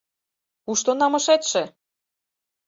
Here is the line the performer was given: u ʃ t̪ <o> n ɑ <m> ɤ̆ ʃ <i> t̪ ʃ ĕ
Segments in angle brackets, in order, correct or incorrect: correct, correct, incorrect: e

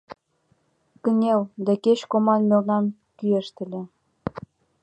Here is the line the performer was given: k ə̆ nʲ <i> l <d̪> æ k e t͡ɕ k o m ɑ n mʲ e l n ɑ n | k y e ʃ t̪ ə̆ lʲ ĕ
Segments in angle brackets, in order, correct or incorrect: incorrect: e, correct

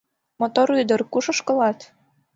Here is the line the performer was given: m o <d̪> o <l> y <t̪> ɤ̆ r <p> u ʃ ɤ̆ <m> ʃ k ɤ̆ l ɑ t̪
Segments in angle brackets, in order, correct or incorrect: incorrect: t̪, incorrect: ɾ, incorrect: d̪, incorrect: k, incorrect: none

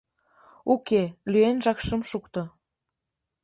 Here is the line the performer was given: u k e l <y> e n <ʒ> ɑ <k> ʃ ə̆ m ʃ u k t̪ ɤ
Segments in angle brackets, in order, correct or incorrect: correct, correct, correct

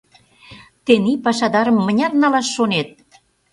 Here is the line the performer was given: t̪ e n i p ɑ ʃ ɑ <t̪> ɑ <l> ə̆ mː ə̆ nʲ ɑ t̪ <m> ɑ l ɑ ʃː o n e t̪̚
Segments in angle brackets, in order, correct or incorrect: incorrect: d̪, incorrect: ɾ, incorrect: n

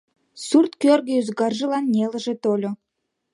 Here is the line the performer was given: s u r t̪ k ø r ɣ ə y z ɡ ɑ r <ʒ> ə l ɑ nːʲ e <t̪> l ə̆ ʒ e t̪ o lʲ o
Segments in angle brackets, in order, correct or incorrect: correct, incorrect: none

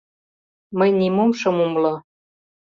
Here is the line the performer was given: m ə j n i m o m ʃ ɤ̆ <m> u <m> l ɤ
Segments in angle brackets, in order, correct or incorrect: correct, correct

